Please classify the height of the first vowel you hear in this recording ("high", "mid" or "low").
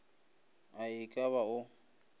low